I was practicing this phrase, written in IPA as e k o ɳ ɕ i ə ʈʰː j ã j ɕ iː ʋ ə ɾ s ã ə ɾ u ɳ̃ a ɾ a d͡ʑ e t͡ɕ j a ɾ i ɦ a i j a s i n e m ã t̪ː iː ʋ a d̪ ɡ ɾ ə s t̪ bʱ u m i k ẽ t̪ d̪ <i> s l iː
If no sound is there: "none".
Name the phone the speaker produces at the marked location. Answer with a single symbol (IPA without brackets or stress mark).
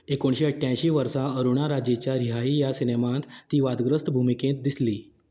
i